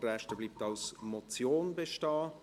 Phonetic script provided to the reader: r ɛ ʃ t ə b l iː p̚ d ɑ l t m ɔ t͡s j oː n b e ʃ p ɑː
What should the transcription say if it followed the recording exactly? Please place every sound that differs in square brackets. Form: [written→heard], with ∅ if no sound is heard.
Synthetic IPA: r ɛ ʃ t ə b l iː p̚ [d→t] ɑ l [t→s] m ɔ t͡s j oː n b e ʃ [p→t] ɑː